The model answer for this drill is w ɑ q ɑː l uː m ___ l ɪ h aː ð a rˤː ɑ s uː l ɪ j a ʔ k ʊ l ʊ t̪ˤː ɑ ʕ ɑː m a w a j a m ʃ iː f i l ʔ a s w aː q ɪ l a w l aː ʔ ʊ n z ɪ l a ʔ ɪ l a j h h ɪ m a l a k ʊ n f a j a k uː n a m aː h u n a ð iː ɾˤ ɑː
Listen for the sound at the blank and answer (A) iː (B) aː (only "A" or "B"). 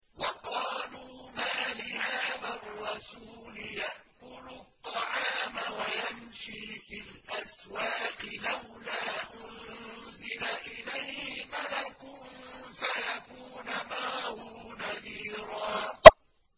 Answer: B